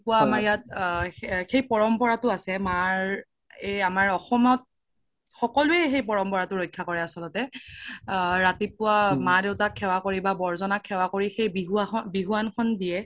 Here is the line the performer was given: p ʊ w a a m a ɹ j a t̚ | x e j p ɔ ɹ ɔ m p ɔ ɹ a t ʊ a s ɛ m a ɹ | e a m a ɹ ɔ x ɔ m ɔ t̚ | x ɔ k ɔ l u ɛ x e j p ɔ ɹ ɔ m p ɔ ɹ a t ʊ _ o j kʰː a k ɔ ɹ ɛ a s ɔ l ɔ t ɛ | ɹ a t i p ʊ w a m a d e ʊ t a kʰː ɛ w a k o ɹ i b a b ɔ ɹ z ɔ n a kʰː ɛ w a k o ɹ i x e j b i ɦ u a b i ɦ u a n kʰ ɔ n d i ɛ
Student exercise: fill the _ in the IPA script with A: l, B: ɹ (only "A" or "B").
B